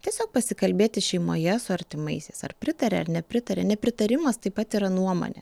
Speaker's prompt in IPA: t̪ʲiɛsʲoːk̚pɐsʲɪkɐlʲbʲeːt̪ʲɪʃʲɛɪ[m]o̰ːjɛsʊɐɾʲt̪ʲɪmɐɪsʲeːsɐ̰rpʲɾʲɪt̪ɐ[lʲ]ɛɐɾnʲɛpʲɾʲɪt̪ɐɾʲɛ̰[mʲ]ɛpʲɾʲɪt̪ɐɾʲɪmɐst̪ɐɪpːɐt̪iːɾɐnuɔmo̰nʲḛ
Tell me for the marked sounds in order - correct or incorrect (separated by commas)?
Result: correct, incorrect, incorrect